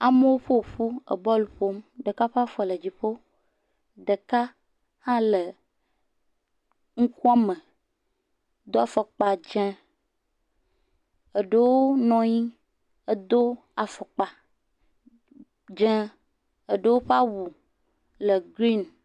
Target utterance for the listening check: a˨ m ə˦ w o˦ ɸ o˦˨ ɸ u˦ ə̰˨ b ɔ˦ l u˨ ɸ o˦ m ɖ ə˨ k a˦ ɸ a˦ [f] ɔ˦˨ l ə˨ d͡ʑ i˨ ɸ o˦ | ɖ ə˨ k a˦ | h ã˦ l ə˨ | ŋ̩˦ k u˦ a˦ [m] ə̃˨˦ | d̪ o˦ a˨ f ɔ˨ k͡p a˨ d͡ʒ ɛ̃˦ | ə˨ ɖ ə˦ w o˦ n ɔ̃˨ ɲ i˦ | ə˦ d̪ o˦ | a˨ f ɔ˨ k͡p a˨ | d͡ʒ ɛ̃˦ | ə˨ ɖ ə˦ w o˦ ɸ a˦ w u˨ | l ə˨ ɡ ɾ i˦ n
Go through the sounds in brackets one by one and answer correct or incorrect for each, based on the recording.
correct, correct

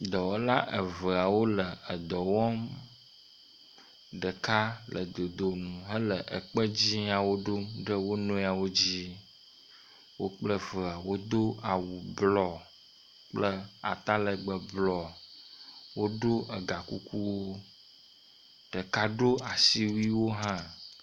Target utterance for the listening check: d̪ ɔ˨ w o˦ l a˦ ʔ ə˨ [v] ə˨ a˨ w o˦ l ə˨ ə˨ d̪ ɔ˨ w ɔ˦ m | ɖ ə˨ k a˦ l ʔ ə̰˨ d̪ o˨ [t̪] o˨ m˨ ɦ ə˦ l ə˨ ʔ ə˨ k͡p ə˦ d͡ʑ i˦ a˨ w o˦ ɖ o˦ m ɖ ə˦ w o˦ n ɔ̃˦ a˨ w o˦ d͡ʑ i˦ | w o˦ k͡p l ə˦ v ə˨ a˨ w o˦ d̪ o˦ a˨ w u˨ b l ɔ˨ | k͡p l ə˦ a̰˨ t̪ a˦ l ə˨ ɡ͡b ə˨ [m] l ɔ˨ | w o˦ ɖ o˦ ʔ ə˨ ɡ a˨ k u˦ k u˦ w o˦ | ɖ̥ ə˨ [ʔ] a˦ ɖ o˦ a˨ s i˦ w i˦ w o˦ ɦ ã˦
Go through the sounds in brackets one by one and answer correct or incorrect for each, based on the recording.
correct, incorrect, incorrect, incorrect

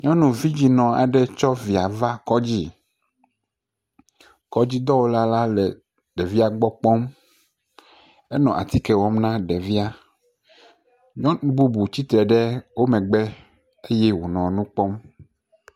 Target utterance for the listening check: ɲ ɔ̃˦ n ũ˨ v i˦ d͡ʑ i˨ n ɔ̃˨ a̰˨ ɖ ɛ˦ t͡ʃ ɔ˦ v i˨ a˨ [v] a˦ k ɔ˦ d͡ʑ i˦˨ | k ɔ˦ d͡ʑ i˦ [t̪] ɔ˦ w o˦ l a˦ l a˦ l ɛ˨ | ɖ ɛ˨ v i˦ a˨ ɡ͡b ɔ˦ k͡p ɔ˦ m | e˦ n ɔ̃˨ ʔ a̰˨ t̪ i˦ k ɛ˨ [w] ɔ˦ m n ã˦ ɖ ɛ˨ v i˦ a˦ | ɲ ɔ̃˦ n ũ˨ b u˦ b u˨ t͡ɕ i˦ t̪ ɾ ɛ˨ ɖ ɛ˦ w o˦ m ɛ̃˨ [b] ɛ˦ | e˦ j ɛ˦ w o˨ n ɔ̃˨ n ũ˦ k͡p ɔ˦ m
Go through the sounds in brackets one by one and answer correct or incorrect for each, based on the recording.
correct, incorrect, correct, incorrect

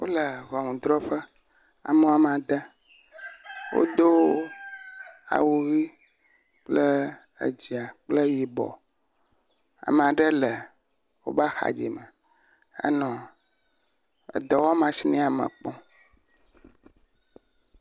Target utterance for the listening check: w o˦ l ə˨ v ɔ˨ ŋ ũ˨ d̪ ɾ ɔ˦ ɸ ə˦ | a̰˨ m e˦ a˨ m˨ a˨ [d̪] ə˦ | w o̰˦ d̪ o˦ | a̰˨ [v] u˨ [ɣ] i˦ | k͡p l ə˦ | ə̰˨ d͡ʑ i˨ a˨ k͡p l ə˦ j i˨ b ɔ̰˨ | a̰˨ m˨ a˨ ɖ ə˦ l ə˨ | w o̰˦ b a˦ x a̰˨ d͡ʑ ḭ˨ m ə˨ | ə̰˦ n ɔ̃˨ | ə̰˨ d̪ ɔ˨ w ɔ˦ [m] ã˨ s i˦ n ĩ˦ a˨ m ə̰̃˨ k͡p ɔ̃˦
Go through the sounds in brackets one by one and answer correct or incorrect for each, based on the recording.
correct, incorrect, correct, correct

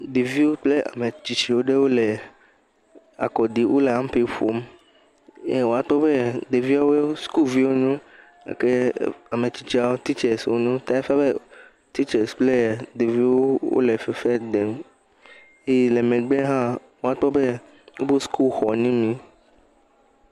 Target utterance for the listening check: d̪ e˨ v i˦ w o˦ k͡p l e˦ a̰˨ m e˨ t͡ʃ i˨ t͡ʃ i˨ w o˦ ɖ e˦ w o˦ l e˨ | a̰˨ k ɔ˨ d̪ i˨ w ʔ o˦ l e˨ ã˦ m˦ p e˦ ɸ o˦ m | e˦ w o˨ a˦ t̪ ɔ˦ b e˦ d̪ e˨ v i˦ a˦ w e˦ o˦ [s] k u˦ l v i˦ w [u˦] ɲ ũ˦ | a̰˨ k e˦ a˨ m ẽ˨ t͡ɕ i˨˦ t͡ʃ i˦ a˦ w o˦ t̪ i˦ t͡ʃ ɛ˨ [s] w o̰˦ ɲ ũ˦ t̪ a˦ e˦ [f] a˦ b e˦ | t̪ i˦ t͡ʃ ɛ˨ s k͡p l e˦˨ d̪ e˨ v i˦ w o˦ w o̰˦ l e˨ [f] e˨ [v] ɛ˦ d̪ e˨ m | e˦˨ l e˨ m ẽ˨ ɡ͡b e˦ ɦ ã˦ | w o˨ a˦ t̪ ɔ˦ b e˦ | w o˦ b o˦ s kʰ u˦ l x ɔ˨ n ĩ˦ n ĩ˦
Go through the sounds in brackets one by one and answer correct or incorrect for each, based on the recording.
correct, incorrect, correct, correct, correct, incorrect

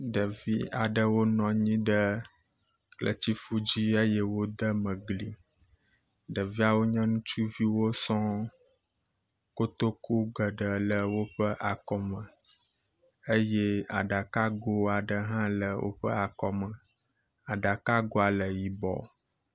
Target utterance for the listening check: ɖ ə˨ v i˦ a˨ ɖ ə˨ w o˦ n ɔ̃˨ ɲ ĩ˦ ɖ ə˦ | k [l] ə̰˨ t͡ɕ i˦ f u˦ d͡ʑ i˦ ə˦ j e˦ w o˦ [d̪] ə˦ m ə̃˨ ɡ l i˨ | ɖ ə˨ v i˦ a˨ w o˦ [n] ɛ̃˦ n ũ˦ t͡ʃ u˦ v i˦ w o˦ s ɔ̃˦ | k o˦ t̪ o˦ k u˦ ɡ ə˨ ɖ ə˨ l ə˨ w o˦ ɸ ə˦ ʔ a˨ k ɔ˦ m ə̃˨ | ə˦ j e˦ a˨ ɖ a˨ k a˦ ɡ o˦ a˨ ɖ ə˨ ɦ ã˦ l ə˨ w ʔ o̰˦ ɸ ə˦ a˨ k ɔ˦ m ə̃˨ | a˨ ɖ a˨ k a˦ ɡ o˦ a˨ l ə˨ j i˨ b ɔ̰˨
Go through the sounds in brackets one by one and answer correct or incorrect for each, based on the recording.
correct, correct, incorrect

